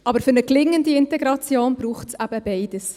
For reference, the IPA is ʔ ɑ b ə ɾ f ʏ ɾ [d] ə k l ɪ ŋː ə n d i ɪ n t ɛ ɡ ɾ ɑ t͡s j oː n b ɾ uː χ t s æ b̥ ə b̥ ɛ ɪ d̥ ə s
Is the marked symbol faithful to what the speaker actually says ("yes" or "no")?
no